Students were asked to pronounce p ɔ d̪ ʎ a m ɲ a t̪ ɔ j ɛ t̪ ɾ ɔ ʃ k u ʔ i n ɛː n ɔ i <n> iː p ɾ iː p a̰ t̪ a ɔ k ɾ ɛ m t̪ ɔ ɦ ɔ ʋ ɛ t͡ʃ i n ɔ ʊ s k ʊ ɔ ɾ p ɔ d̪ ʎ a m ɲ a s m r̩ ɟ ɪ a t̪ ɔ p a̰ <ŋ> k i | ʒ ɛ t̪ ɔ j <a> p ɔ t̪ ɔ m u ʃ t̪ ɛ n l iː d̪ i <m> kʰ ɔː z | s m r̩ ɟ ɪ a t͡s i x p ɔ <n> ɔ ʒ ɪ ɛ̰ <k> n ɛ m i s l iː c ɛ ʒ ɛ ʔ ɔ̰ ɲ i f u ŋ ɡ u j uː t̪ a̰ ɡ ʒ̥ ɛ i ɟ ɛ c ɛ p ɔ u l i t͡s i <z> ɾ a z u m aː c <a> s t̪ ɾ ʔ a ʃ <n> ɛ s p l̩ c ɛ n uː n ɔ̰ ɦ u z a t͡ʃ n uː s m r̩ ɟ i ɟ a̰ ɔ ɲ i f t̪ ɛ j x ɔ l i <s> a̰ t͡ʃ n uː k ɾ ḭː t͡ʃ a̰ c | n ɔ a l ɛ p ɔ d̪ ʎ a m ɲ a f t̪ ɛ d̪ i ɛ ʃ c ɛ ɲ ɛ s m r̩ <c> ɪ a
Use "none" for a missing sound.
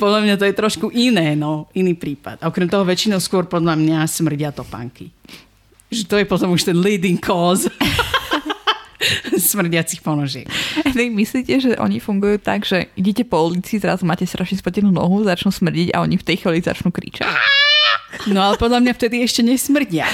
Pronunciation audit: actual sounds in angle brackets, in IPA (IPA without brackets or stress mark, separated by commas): n, ŋ, ɛ, ŋ, n, k, z, ɛ, ɲ, z, ɟ